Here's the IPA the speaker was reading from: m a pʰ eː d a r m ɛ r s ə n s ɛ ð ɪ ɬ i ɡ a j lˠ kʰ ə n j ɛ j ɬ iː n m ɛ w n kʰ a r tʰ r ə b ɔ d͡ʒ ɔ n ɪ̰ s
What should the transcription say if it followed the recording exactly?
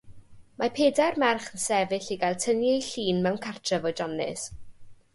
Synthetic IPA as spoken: m a pʰ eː d a r m ɛ r χ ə n s ɛ v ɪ ɬ i ɡ a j lˠ tʰ ə n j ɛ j ɬ iː n m ɛ w n kʰ a r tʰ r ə v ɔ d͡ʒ ɔ n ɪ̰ s